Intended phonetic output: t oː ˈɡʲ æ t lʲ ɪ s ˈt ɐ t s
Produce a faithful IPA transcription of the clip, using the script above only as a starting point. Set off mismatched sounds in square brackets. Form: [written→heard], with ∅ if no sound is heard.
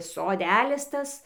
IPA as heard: [t→s] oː [ˈɡʲ→ˈdʲ] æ [t→∅] lʲ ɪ s ˈt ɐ [t→∅] s